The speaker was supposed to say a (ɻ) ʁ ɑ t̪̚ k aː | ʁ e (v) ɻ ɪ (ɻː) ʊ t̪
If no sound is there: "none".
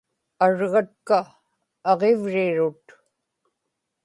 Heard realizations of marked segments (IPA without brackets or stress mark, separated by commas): ɻ, v, ɻ